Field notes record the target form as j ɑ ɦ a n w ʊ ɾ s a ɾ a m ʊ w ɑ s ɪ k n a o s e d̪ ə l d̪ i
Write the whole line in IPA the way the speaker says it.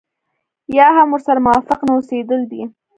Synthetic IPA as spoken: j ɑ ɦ a m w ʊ ɾ s a ɾ a m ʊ w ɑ f ɪ q n a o s e d̪ ə l d̪ i